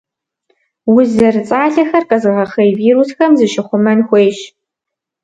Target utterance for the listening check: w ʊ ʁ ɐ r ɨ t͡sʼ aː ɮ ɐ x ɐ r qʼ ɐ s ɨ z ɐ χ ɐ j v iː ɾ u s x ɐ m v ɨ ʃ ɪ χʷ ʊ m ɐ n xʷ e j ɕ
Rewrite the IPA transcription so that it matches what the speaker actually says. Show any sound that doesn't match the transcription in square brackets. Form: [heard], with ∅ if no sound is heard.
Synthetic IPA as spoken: w ʊ [z] ɐ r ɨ t͡sʼ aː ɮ ɐ x ɐ r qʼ ɐ [z] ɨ [ʁ] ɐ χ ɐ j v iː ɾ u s x ɐ m [z] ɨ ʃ ɪ χʷ ʊ m ɐ n xʷ e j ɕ